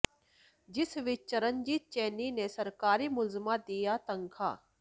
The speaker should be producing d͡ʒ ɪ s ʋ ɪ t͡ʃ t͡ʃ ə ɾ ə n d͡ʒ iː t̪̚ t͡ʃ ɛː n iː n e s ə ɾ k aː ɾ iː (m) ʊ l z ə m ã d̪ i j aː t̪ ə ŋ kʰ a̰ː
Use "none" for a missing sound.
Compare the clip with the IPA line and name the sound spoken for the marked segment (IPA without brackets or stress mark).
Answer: m